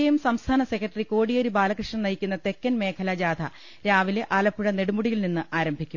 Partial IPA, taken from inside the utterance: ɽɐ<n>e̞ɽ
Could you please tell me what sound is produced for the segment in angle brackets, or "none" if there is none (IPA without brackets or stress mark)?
n